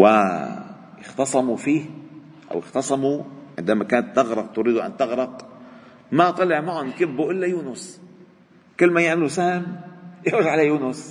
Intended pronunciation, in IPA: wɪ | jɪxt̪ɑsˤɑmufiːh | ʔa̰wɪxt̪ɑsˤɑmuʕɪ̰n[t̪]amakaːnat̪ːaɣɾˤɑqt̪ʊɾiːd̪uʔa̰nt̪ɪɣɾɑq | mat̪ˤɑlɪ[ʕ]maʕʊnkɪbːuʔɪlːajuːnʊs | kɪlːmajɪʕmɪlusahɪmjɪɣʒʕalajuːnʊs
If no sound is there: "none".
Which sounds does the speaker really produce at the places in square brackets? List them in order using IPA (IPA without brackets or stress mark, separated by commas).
d̪, ʕ